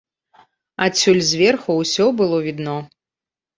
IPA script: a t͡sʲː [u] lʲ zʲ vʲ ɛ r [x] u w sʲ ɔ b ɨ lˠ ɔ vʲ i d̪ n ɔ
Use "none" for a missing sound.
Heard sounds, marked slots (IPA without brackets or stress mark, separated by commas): u, x